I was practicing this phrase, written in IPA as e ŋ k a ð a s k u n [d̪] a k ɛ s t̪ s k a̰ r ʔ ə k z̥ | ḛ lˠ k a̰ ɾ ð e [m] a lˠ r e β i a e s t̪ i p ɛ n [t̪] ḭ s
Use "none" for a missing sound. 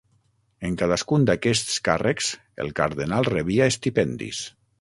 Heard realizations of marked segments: d̪, n, d̪

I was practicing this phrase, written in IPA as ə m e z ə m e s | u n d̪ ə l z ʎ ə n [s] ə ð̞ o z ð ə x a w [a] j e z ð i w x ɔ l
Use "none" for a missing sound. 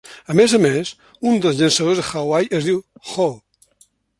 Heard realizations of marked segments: s, a

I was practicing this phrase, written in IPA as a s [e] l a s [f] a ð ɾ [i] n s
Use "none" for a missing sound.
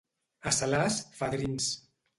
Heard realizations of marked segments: a, f, i

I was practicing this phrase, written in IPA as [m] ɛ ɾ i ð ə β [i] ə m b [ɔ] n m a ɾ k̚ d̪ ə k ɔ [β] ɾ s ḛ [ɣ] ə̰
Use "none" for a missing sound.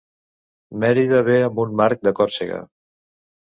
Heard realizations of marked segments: m, e, u, none, ɣ

